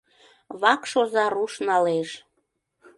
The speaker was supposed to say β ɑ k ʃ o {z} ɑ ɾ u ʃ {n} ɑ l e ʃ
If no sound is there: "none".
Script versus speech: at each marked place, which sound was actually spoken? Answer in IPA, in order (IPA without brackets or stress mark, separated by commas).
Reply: z, n